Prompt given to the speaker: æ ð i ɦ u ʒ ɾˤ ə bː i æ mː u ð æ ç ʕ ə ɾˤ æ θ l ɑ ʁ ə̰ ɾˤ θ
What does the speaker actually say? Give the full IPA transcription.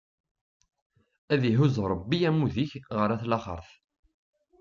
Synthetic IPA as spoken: æ ð i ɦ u z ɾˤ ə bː i æ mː u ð i ç ʁ ə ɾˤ æ θ l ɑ χ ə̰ ɾˤ θ

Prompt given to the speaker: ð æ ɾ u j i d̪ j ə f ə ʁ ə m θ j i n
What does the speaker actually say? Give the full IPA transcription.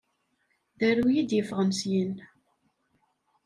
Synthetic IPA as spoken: ð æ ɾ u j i d̪ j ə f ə ʁ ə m s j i n

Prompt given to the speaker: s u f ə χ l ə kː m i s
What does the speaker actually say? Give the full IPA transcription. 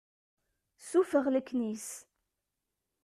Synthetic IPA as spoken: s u f ə ʁ l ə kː n i s

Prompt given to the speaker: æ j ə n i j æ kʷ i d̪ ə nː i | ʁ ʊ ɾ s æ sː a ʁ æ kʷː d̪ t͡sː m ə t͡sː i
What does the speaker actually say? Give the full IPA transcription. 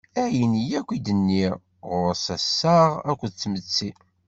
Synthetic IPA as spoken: æ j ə n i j æ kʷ i d̪ ə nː i | ʁ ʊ ɾ s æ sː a ʁ æ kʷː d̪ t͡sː m ə t͡sː i

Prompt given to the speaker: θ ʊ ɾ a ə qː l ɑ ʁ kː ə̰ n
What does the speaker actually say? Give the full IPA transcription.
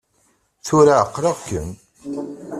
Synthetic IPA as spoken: θ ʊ ɾ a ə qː ɾ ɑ ʁ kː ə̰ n

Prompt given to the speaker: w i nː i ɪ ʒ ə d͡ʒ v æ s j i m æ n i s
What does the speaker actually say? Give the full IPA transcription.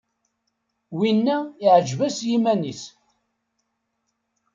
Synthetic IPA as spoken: w i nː æ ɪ ʕ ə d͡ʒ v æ s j i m æ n i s

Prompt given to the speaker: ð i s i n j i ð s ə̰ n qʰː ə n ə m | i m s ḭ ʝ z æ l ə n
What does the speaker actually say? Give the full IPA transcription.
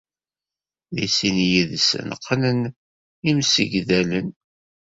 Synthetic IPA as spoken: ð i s i n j i ð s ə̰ n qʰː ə n ə n | i m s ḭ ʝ ð æ l ə n

